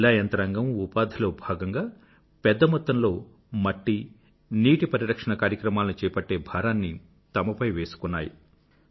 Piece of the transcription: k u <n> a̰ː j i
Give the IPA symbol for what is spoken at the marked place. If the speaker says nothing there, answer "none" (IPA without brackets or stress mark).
nː